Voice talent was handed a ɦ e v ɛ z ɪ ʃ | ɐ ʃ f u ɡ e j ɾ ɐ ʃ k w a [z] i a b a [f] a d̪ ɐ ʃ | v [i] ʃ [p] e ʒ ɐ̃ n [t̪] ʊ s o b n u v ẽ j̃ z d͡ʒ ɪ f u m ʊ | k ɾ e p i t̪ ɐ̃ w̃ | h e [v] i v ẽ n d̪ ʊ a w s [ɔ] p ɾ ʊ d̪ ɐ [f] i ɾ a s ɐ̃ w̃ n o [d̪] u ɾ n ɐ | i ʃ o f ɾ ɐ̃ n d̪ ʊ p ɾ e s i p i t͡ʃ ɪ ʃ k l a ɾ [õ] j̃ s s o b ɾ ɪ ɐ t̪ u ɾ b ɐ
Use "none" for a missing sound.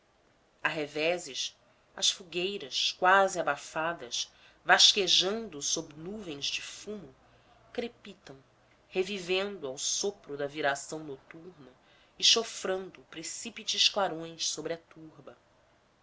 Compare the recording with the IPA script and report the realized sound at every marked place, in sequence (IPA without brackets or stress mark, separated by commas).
z, f, a, k, d̪, v, o, v, t̪, õ